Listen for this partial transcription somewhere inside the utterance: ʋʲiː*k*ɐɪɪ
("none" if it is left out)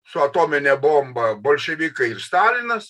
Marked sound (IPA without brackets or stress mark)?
k